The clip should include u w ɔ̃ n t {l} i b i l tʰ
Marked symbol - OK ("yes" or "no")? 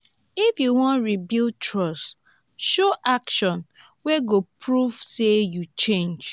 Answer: no